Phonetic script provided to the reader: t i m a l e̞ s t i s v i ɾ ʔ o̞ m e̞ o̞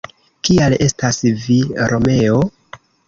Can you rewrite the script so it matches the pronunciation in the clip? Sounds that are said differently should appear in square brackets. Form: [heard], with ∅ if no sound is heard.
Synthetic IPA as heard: [k] i [∅] a l e̞ s t [a] s v i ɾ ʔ o̞ m e̞ o̞